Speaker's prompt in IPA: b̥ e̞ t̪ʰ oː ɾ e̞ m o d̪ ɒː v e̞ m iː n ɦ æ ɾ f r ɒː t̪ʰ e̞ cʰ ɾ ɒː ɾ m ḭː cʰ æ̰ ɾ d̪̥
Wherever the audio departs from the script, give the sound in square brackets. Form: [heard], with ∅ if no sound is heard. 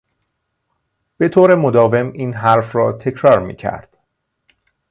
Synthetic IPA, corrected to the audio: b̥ e̞ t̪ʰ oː ɾ e̞ m o d̪ ɒː v e̞ m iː n ɦ æ ɾ f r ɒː t̪ʰ e̞ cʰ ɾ ɒː ɾ m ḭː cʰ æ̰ ɾ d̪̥